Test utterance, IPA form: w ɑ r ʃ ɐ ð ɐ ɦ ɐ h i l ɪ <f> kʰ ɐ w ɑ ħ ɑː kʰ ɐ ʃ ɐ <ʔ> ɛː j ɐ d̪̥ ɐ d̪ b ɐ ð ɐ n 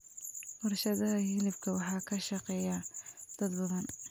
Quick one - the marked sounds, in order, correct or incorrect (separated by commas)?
correct, incorrect